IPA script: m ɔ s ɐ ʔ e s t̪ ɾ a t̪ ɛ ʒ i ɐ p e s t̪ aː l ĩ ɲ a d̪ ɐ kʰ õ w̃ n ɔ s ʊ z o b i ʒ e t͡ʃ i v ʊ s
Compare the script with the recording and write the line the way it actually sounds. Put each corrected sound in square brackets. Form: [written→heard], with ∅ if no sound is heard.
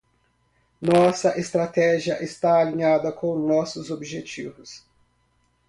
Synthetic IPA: [m→n] ɔ s ɐ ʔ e s t̪ ɾ a t̪ ɛ ʒ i ɐ [p→ʔ] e s t̪ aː l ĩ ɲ a d̪ ɐ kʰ õ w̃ n ɔ s ʊ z o b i ʒ e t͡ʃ i v ʊ s